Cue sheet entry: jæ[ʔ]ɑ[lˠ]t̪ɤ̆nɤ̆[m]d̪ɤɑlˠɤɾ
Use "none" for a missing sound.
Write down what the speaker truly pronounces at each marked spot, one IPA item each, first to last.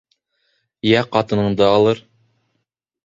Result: q, none, ɴ

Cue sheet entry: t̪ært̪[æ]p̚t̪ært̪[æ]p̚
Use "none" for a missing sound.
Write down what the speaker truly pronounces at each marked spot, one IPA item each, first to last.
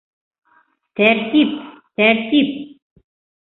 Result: i, i

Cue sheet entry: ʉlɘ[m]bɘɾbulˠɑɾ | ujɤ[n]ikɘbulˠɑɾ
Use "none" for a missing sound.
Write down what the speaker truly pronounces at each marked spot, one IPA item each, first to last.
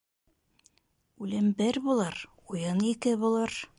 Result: m, n

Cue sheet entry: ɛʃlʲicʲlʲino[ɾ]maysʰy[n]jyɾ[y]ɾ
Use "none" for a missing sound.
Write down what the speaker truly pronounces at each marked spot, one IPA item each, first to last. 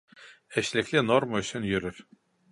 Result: ɾ, n, y

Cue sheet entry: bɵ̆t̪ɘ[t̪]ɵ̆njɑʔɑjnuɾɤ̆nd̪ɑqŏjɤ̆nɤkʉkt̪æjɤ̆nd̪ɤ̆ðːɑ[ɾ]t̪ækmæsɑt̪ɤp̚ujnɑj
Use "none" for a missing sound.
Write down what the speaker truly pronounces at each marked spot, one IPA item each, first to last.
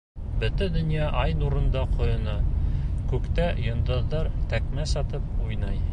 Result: d̪, ɾ

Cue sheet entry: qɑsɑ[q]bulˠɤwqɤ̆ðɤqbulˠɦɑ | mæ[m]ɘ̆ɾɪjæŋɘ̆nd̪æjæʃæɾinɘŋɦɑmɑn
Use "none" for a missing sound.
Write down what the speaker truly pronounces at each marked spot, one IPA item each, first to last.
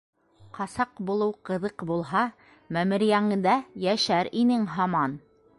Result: q, m

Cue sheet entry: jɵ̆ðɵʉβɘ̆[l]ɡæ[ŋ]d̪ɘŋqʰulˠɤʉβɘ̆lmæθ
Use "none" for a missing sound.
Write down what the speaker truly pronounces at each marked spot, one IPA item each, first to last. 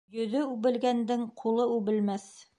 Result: l, n

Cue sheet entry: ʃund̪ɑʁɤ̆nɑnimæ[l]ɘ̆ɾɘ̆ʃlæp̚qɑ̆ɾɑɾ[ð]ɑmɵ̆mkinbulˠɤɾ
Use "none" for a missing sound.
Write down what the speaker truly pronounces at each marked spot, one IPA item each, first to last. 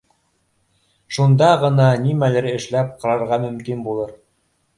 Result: l, ʁ

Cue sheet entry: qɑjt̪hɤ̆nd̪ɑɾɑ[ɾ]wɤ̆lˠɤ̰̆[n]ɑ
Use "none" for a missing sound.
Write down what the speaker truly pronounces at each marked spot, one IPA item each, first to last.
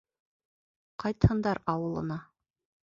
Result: none, n

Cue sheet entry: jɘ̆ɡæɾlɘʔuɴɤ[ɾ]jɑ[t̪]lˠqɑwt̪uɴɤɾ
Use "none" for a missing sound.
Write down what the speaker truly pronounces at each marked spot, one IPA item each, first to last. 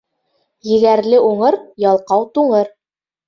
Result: ɾ, none

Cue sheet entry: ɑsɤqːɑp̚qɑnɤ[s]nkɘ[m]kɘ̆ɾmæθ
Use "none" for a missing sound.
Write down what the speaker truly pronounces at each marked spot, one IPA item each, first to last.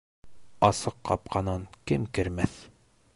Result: none, m

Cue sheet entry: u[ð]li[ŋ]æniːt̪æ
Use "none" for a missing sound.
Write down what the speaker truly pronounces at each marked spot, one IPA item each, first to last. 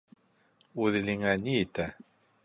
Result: ð, ŋ

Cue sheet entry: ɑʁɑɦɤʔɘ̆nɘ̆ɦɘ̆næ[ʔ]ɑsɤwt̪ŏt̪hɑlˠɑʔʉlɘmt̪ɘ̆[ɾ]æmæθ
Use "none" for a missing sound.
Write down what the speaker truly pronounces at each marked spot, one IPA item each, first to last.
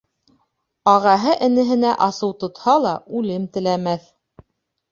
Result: ʔ, l

